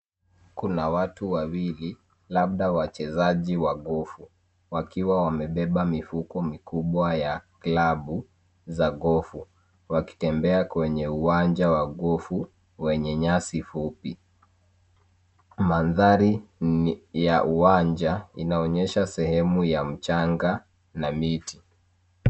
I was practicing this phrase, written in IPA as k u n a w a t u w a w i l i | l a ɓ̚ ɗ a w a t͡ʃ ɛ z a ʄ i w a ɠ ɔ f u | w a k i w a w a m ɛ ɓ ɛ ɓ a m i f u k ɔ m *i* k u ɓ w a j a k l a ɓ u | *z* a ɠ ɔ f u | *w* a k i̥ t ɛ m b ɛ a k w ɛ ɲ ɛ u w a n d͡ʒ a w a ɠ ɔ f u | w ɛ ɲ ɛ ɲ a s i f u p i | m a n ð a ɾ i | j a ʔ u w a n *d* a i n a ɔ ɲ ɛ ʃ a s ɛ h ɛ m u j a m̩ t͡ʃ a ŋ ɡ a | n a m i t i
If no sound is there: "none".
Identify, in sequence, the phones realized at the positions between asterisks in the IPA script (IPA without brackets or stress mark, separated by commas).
i, z, w, d͡ʒ